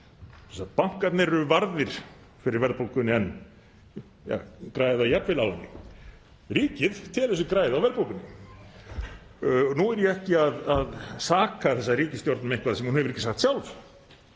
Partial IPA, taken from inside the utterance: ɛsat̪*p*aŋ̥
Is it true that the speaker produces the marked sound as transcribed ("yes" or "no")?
yes